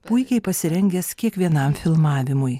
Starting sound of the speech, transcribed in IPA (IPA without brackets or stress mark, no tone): p